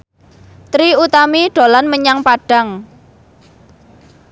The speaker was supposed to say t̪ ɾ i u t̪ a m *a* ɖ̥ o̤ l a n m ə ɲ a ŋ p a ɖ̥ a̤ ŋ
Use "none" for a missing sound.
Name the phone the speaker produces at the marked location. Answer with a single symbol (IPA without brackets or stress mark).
i